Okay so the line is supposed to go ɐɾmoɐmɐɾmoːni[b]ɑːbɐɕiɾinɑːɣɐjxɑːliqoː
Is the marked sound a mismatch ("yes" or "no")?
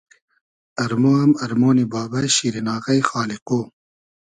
no